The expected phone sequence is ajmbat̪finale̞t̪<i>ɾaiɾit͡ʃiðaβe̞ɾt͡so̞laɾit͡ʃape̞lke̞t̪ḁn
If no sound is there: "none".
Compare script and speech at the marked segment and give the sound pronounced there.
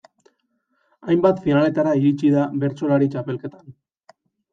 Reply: a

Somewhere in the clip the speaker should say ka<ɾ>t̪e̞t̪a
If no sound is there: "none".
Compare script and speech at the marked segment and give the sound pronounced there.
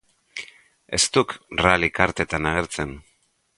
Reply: ɾ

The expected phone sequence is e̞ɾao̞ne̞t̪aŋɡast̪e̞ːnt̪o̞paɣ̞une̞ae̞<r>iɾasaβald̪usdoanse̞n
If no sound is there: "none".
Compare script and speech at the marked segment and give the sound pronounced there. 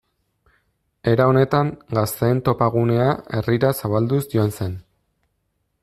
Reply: r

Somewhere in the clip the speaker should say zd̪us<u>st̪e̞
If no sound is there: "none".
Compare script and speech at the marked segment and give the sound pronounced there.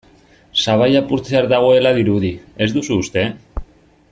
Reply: uː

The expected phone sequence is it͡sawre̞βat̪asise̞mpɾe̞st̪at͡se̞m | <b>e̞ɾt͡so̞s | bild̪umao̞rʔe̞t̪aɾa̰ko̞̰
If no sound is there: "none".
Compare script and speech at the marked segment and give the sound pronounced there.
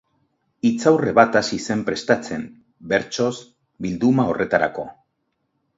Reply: b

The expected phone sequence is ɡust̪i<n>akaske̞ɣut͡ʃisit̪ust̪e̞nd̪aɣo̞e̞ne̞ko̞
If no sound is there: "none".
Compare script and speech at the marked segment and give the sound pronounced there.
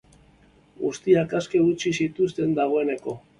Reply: none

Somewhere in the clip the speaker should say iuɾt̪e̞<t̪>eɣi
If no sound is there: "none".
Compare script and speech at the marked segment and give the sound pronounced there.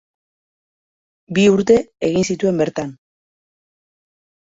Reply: none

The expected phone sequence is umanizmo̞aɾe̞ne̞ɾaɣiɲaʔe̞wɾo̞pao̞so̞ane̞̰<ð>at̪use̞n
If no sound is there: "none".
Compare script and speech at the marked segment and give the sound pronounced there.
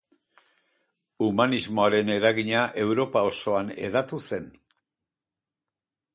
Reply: ð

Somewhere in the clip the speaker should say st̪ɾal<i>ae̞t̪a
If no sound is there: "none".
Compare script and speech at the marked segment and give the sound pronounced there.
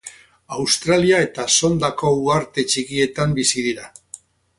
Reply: i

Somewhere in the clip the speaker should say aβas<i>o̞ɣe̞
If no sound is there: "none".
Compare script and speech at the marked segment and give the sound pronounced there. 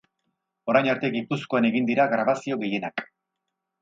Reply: i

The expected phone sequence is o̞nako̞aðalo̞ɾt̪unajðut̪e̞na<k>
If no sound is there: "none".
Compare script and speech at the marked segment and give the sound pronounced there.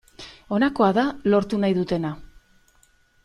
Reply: none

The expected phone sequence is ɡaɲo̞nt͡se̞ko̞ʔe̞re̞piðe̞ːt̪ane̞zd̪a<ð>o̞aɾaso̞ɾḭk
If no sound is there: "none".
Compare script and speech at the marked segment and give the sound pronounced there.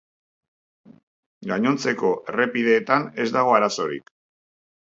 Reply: ɣ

